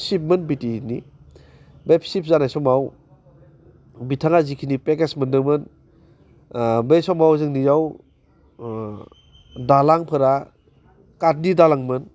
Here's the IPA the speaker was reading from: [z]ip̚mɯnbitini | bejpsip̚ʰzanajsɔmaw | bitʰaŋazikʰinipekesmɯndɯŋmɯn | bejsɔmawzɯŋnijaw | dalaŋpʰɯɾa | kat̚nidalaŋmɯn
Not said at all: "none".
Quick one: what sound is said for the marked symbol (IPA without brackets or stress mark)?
s